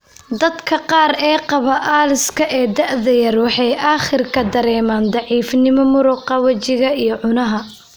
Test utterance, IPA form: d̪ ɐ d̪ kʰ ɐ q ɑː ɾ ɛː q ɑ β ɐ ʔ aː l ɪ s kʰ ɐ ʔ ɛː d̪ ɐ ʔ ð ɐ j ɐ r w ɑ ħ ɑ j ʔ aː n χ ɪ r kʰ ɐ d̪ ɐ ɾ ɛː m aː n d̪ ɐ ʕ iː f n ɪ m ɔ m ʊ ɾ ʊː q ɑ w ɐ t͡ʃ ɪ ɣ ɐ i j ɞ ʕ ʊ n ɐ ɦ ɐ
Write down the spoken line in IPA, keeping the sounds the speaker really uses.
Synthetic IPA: d̪ ɐ d̪ kʰ ɐ q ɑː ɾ ɛː q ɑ β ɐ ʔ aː l ɪ s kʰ ɐ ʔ ɛː d̪ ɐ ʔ ð ɐ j ɐ r w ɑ ħ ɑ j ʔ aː χ ɪ r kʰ ɐ d̪ ɐ ɾ ɛː m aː n d̪ ɑ ʕ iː f n ɪ m ɔ m ʊ ɾ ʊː q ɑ w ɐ t͡ʃ ɪ ɣ ɐ i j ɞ ʕ ʊ n ɐ ɦ ɐ